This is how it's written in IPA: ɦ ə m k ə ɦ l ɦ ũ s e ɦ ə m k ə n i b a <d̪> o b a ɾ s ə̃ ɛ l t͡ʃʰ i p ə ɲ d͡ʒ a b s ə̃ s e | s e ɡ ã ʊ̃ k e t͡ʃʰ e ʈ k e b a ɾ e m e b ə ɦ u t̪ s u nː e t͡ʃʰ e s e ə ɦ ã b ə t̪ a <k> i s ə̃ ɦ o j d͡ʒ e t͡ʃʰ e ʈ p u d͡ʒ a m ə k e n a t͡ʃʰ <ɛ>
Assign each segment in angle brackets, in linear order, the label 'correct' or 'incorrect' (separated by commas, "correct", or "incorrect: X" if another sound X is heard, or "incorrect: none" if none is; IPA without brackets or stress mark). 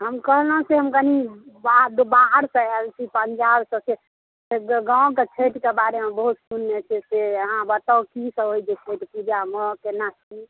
correct, correct, incorrect: i